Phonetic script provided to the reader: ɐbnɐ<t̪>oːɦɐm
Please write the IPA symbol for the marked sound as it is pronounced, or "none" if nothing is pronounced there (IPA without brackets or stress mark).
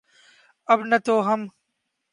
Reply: t̪